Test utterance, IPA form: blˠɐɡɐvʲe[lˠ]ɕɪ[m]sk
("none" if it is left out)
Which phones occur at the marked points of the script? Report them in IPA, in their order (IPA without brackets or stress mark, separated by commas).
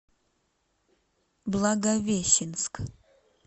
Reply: none, n